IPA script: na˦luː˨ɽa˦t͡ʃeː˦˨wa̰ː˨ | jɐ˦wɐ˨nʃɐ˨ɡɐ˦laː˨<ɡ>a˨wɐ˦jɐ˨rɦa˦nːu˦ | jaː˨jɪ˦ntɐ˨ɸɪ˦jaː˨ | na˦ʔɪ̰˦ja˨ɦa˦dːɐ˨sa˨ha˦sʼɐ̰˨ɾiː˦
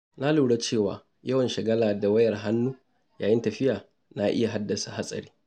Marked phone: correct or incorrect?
incorrect